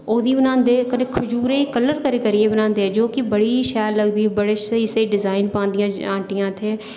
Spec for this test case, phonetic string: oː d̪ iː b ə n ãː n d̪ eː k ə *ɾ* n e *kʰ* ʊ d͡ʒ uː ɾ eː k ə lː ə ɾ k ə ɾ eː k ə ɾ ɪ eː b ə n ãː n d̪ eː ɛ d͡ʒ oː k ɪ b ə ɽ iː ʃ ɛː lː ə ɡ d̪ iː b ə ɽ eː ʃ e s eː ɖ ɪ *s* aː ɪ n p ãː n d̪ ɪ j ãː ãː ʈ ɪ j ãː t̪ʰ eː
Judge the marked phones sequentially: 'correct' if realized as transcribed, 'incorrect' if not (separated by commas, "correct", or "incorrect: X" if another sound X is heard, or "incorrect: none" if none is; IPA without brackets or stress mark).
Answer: incorrect: none, correct, incorrect: z